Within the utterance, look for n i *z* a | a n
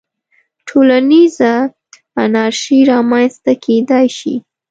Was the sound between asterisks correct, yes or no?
yes